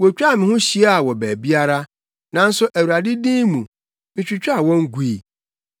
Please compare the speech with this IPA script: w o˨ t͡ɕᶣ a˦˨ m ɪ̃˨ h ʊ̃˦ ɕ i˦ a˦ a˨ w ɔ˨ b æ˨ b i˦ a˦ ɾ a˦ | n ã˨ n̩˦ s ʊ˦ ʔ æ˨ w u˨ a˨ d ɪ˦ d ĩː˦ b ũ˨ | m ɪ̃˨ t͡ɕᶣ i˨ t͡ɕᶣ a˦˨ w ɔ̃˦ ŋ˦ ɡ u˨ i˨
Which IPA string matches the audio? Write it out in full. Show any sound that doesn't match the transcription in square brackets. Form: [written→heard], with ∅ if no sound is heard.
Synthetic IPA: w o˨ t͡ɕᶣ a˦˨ m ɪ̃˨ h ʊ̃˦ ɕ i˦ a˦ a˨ w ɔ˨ b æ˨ b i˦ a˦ ɾ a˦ | n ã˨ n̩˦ s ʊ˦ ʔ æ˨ w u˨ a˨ d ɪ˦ d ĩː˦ [b→m] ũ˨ | m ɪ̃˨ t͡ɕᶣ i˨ t͡ɕᶣ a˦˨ w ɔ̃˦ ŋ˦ ɡ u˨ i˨